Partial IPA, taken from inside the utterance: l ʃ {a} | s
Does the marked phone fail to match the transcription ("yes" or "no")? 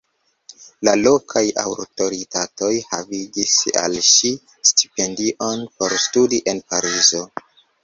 yes